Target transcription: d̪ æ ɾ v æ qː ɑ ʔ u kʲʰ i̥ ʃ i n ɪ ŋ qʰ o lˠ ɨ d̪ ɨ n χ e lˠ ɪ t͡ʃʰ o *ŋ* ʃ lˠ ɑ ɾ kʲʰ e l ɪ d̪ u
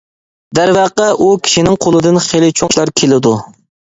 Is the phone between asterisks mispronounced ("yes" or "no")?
no